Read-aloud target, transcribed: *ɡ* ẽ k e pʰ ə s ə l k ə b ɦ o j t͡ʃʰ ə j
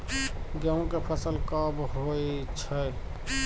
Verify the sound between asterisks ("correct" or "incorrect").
correct